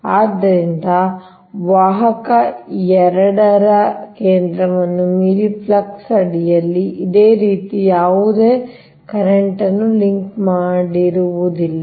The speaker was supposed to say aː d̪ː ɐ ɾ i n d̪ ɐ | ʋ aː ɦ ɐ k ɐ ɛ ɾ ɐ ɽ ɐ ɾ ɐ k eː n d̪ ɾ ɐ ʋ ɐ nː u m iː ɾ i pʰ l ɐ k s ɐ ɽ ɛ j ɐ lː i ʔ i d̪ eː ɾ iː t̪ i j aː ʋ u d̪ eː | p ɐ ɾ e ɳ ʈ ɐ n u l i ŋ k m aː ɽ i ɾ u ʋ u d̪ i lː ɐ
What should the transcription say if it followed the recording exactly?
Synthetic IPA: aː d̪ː ɐ ɾ i n d̪ ɐ | ʋ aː ɦ ɐ k ɐ ɛ ɾ ɐ ɽ ɐ ɾ ɐ k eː n d̪ ɾ ɐ ʋ ɐ nː u m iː ɾ i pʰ l ɐ k s ɐ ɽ i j ɐ lː i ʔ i d̪ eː ɾ iː t̪ i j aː ʋ u d̪ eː | k ɐ ɾ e ɳ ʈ ɐ nː u l i ŋ k m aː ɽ i ɾ u ʋ u d̪ i lː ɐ

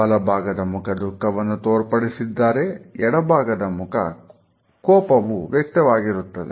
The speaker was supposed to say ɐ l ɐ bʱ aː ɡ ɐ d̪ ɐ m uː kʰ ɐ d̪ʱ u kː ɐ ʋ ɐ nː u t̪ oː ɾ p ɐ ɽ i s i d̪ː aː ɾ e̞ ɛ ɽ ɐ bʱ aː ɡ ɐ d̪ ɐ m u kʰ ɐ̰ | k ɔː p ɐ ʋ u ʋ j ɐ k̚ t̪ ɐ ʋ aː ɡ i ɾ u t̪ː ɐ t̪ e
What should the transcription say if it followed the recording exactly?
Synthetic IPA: ɐ l ɐ bʱ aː ɡ ɐ d̪ ɐ m u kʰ ɐ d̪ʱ u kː ɐ ʋ ɐ nː u t̪ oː ɾ p ɐ ɽ i s i d̪ː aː ɾ e̞ ɛ ɽ ɐ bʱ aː ɡ ɐ d̪ ɐ m u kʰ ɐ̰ | k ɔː p ɐ ʋ u ʋ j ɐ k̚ t̪ ɐ ʋ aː ɡ i ɾ u t̪ː ɐ d̪ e

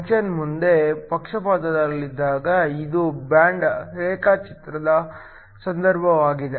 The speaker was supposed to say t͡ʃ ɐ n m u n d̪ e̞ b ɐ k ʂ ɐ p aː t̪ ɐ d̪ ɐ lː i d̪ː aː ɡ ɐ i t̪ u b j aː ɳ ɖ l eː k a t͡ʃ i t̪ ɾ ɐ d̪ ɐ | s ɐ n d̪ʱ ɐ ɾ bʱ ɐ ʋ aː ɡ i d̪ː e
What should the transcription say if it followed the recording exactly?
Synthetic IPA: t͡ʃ ɐ n m u n d̪ e̞ p ɐ k ʂ ɐ p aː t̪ ɐ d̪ ɐ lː i d̪ː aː ɡ ɐ i d̪ u b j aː ɳ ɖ ɾ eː k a t͡ʃ i t̪ ɾ ɐ d̪ ɐ | s ɐ n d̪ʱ ɐ ɾ bʱ ɐ ʋ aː ɡ i d̪ e

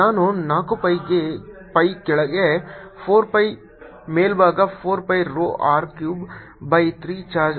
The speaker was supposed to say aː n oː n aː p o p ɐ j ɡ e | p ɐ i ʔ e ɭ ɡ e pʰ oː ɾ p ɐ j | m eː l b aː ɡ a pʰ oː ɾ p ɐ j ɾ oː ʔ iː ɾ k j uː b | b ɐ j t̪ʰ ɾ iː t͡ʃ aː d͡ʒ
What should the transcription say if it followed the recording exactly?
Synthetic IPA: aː n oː n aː k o p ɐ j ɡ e | p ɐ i k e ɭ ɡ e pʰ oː ɾ p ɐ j | m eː l b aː ɡ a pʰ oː ɾ p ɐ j ɾ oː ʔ aː ɾ k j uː b | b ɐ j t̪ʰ ɾ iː t͡ʃ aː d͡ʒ

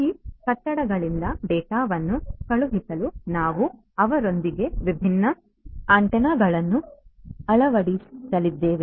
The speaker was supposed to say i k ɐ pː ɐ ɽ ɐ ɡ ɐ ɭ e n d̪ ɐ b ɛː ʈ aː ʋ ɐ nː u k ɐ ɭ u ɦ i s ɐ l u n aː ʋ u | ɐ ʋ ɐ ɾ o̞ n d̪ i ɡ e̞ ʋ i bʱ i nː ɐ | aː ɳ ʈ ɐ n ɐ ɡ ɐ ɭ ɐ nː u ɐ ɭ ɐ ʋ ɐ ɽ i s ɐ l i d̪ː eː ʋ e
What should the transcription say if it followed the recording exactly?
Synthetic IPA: i k ɐ ʈː ɐ ɽ ɐ ɡ ɐ ɭ i n d̪ ɐ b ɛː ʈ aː ʋ ɐ nː u k ɐ ɭ u ɦ i s ɐ l u n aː ʋ u | ɐ ʋ ɐ ɾ o̞ n d̪ i ɡ e̞ ʋ i bʱ i nː ɐ | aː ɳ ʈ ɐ n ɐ ɡ ɐ ɭ ɐ nː u ɐ ɭ ɐ ʋ ɐ ɽ i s ɐ l i d̪ː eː ʋ e

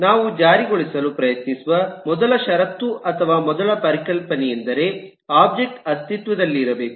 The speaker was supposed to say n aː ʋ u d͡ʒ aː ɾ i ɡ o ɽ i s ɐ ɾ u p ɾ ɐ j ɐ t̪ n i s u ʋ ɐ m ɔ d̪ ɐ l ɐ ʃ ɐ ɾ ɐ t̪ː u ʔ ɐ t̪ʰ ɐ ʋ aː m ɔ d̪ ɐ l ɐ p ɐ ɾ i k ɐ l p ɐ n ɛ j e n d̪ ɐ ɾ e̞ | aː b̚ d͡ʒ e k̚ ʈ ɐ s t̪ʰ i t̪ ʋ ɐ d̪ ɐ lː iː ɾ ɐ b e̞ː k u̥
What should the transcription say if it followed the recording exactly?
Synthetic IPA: n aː ʋ u d͡ʒ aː ɾ i ɡ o ɭ i s ɐ l u p ɾ ɐ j ɐ t̪ n i s u ʋ ɐ m ɔ d̪ ɐ l ɐ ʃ ɐ ɾ ɐ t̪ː u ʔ ɐ t̪ʰ ɐ ʋ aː m ɔ d̪ ɐ l ɐ p ɐ ɾ i k ɐ l p ɐ n ɛ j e n d̪ ɐ ɾ e̞ | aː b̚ d͡ʒ e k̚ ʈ ɐ s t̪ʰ i t̪ ʋ ɐ d̪ ɐ lː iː ɾ ɐ b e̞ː k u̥

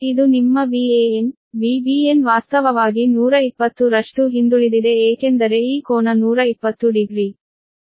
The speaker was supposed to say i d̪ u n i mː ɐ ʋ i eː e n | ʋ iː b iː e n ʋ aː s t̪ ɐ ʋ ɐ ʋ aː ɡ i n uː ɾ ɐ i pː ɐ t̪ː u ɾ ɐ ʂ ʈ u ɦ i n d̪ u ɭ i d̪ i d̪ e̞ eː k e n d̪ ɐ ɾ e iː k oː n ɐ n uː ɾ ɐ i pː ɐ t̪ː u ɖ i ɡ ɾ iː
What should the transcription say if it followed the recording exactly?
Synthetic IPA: i d̪ u n i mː ɐ ʋ i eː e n | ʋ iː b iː e n ʋ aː s t̪ ɐ ʋ ɐ ʋ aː ɡ i n uː ɾ ɐ i pː ɐ t̪ː u ɾ ɐ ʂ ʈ u ɦ i n d̪ u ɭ i d̪ i d̪ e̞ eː k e n d̪ ɐ ɾ e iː k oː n ɐ n uː ɾ ɐ i pː ɐ t̪ː u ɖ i ɡ ɾ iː

